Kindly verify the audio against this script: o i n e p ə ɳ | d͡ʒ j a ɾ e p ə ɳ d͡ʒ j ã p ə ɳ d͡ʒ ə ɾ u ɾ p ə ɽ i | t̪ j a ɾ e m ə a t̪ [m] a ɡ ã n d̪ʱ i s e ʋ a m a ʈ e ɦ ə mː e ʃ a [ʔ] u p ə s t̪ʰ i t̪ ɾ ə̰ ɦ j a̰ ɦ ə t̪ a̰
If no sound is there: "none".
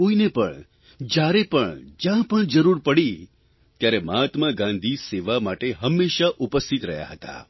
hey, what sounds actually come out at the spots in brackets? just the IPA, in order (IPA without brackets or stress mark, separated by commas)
m, ʔ